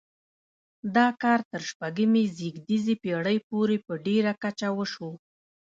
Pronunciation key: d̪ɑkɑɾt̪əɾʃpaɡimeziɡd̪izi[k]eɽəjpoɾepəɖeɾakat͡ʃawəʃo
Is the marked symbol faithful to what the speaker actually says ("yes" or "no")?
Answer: no